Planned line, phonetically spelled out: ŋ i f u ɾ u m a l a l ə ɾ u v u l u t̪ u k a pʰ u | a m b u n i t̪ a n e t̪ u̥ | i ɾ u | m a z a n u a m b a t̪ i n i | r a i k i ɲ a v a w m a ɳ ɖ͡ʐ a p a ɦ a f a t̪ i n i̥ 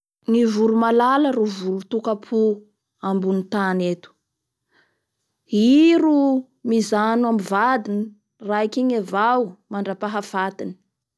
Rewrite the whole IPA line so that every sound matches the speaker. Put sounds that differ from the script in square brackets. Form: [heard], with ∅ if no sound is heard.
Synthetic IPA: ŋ i [v] u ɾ u m a l a l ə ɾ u v u l u t̪ u k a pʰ u | a m b u n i t̪ a n e t̪ u̥ | i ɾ u | m [i] z a n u a m [v] a [d̪] i n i | r a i k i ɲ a v a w m a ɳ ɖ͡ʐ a p a ɦ a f a t̪ i n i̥